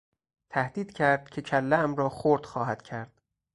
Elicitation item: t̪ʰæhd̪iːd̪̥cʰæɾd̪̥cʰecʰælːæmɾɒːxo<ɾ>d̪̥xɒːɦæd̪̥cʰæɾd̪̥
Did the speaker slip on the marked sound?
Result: no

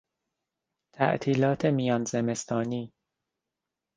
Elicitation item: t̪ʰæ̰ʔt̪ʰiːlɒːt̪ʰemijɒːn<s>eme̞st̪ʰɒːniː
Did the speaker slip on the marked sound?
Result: yes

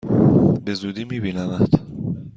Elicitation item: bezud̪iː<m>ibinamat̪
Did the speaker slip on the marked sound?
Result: no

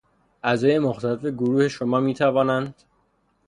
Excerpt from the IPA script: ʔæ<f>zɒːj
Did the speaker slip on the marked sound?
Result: yes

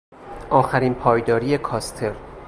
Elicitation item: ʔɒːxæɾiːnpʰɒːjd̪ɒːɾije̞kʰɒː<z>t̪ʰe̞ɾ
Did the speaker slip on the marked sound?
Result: yes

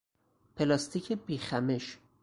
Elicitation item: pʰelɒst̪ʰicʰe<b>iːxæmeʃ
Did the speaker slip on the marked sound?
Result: no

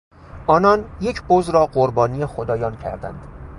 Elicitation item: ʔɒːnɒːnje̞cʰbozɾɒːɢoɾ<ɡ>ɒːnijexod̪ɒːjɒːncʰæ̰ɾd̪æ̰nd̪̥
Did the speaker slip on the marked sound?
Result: yes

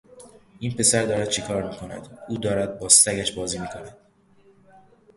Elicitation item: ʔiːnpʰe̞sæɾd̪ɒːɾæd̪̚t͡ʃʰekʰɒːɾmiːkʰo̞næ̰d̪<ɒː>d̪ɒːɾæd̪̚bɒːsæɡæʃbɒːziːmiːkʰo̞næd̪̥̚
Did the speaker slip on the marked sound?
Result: yes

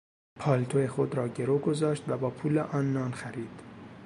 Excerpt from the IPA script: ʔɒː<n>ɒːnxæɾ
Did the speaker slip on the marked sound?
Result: yes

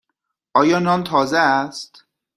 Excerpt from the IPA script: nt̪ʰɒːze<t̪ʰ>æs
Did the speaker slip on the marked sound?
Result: yes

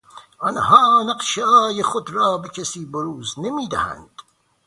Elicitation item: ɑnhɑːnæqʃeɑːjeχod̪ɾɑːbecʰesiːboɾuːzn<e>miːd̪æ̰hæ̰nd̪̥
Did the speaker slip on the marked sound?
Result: no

